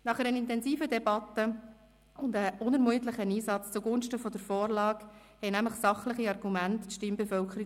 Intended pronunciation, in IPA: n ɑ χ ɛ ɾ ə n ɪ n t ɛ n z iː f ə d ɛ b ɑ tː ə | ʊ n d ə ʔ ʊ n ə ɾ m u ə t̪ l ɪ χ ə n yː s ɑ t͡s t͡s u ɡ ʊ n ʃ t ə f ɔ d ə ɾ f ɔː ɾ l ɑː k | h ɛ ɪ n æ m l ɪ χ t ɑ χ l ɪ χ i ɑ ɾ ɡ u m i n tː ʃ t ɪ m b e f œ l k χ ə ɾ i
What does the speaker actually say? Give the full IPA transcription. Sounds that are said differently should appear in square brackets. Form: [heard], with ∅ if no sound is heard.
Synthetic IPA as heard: n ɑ χ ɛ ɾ ə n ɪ n t ɛ n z iː f ə d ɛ b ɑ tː ə | ʊ n d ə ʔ ʊ n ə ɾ m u ə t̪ l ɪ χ ə n [iː] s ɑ t͡s t͡s u ɡ ʊ n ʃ t ə f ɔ d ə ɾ f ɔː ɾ l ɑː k | h ɛ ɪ n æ m l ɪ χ [s] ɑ χ l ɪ χ i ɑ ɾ ɡ u m [æ] n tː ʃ t ɪ m b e f œ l k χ ə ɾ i